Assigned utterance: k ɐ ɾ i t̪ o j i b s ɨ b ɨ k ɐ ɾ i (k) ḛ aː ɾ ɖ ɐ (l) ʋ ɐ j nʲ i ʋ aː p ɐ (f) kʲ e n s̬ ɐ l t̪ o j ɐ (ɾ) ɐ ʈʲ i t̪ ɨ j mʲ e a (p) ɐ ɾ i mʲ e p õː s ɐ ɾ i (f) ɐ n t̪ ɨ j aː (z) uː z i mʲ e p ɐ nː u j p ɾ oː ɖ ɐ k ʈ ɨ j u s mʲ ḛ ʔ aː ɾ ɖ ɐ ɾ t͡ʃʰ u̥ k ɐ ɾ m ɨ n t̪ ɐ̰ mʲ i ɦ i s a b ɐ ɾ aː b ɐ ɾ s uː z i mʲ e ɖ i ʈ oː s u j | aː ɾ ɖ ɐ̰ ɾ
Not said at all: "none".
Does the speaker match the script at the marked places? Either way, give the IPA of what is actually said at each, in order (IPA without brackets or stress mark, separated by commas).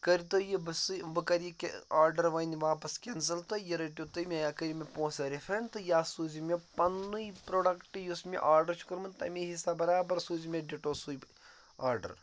k, ɾ, s, ɾ, k, f, s